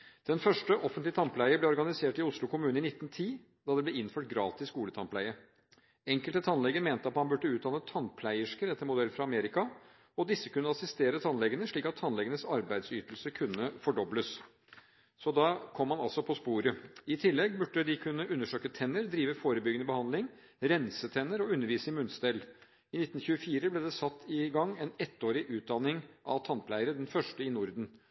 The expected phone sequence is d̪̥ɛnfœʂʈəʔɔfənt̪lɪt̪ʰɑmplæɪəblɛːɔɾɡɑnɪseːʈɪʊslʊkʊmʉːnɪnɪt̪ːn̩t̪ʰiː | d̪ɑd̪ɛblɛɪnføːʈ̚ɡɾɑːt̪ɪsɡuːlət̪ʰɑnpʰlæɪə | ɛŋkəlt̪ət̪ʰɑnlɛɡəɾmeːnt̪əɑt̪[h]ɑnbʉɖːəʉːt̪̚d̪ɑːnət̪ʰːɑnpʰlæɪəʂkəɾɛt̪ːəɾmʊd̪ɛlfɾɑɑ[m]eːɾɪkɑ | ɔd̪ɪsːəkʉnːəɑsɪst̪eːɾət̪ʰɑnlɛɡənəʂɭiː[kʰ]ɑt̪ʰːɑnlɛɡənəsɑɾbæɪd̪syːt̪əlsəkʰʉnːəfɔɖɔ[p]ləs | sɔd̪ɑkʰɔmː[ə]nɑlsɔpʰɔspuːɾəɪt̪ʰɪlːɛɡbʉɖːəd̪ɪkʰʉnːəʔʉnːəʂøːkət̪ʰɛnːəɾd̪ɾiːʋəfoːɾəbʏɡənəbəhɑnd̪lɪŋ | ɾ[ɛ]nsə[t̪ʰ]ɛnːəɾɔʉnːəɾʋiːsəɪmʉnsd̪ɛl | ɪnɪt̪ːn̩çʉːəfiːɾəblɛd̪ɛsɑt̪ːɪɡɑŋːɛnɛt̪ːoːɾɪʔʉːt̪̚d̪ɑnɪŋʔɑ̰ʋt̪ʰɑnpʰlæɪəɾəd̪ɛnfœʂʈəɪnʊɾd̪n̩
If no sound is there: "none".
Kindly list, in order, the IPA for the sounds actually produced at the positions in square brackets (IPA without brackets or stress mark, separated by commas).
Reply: h, m, k, b, ɑ, ɛ, t̪ʰ